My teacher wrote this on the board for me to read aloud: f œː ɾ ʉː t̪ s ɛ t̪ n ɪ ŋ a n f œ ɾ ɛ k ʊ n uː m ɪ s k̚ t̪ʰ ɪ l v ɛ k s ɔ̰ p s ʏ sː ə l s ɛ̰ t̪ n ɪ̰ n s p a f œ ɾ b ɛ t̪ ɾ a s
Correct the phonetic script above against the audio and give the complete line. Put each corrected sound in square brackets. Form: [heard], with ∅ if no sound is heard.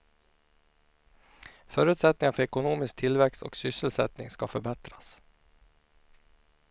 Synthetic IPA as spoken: f œː ɾ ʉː t̪ s ɛ t̪ n ɪ ŋ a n f œ ɾ ɛ k ʊ n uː m ɪ s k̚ t̪ʰ ɪ l v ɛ k s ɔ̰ [k] s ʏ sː ə l s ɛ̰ t̪ n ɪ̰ [ŋ] s [k] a f œ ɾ b ɛ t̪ ɾ a s

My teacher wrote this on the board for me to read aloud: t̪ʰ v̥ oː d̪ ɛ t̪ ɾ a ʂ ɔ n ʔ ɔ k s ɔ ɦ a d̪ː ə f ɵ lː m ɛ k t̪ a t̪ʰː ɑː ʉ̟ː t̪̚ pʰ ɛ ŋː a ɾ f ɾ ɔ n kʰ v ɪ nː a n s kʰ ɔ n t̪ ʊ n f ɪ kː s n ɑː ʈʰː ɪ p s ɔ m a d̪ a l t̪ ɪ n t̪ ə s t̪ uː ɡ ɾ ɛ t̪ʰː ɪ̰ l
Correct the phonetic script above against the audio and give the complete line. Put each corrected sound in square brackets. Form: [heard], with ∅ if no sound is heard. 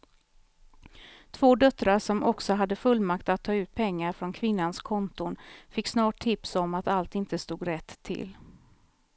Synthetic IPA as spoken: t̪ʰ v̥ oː d̪ [œ] t̪ ɾ a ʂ ɔ [m] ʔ ɔ k s ɔ ɦ a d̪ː ə f ɵ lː m [a] k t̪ a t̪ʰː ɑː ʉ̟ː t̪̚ pʰ ɛ ŋː a ɾ f ɾ ɔ n kʰ v ɪ nː a n s kʰ ɔ n t̪ ʊ n f ɪ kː s n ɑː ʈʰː ɪ p s ɔ m a [t̪] a l t̪ ɪ n t̪ ə s t̪ uː ɡ ɾ ɛ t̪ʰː ɪ̰ l

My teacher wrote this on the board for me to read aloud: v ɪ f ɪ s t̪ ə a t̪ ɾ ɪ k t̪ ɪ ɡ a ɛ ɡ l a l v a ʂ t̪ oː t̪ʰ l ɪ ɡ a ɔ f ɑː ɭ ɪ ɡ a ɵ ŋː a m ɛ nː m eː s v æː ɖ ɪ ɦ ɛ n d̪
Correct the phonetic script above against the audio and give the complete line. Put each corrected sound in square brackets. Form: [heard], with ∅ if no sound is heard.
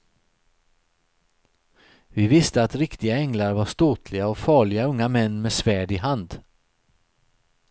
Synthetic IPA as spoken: v ɪ [v] ɪ s t̪ ə a t̪ ɾ ɪ k t̪ ɪ ɡ a ɛ [ŋ] l a [ɾ] v a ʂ t̪ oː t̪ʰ l ɪ ɡ a ɔ f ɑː ɭ ɪ ɡ a ɵ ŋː a m ɛ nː m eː s v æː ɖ ɪ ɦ [a] n d̪

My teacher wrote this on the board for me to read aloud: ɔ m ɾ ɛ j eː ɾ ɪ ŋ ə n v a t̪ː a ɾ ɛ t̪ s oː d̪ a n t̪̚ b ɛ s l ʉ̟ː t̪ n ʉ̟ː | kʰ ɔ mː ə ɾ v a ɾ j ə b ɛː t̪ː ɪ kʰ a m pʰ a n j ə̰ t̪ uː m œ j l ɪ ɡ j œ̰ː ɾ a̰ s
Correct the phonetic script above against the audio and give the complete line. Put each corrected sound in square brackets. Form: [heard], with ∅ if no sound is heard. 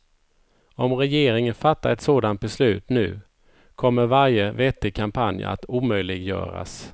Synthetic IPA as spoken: ɔ m ɾ ɛ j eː ɾ ɪ ŋ ə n [f] a t̪ː a ɾ ɛ t̪ s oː d̪ a n t̪̚ b ɛ s l ʉ̟ː t̪ n ʉ̟ː | kʰ ɔ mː ə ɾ v a ɾ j ə [v] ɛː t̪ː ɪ kʰ a m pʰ a n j [a̰] t̪ uː m œ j l ɪ ɡ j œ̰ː ɾ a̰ s

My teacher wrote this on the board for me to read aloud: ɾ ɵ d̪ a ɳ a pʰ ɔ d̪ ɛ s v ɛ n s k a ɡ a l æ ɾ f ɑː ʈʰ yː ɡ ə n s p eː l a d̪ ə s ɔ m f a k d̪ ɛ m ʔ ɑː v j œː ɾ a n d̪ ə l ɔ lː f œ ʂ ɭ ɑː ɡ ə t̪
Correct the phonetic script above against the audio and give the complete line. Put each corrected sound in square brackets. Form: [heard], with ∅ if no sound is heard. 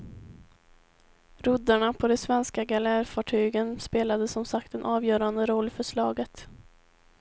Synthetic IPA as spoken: ɾ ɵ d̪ a ɳ a pʰ ɔ d̪ ɛ s v ɛ n s k a ɡ a l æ ɾ f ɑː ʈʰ yː ɡ ə n s p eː l a d̪ ə s ɔ m [s] a k [t̪] ɛ [n] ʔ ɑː v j œː ɾ a n d̪ ə [ɾ] ɔ lː f œ ʂ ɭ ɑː ɡ ə t̪

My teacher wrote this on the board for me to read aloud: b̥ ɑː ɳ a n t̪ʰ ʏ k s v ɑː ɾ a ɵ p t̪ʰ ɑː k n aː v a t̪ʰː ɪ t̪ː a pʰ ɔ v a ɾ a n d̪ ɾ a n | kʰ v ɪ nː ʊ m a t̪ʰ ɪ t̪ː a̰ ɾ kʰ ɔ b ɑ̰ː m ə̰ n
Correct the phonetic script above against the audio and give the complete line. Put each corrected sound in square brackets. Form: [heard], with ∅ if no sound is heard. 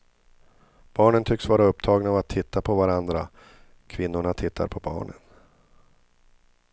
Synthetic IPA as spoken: b̥ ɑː ɳ [ə] n t̪ʰ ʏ k s v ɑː ɾ a ɵ p t̪ʰ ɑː [ɡ] n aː v a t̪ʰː ɪ t̪ː a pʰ ɔ v a ɾ a n d̪ ɾ a [∅] | kʰ v ɪ nː ʊ [ɳ] a t̪ʰ ɪ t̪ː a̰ ɾ [pʰ] ɔ b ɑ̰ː [ɳ] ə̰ n

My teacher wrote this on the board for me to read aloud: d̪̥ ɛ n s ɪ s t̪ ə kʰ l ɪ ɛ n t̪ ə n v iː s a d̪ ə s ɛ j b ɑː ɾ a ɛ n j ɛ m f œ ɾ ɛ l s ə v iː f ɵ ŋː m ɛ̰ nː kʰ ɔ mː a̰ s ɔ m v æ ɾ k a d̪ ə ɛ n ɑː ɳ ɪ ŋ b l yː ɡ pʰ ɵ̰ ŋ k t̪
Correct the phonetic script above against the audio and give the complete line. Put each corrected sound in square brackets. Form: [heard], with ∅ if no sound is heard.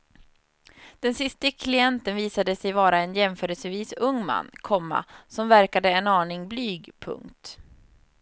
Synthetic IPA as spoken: d̪̥ ɛ n s ɪ s t̪ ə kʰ l ɪ ɛ n t̪ ə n v iː s a d̪ ə s ɛ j [v] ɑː ɾ a ɛ n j ɛ m f [œː] ɾ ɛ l s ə v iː [s] ɵ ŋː m [a̰] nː kʰ ɔ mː a̰ s ɔ m v æ ɾ k a d̪ ə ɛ n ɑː ɳ ɪ ŋ b l yː ɡ pʰ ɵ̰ ŋ k t̪

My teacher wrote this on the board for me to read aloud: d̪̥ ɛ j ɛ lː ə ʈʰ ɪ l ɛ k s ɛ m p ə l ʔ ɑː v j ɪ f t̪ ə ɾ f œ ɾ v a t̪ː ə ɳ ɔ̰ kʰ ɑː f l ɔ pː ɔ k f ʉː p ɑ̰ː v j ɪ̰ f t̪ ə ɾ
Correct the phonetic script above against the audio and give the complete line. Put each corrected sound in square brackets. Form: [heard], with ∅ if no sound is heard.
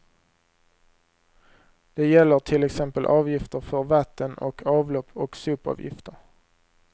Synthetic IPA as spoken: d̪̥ ɛ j ɛ lː ə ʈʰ ɪ l ɛ k s ɛ m p ə l ʔ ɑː v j ɪ f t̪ ə ɾ f œ ɾ v a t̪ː ə [n] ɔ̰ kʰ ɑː [v] l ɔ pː ɔ k [s] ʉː p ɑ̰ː v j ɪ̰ f t̪ ə ɾ

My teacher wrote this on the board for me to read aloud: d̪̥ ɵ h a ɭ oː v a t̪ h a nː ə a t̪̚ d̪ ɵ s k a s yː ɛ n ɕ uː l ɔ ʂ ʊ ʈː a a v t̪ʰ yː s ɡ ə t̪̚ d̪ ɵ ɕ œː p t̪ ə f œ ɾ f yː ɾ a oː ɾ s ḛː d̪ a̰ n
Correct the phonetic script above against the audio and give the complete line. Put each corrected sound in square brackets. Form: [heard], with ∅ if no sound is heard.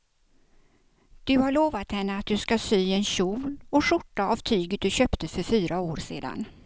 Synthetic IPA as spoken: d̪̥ ɵ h a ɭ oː v a t̪ h [ɛ] nː ə a t̪̚ d̪ ɵ s k a s yː ɛ n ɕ uː l ɔ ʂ ʊ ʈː a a v t̪ʰ yː [∅] ɡ ə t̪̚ d̪ ɵ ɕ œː p t̪ ə f œ ɾ f yː ɾ a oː ɾ s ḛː d̪ a̰ n

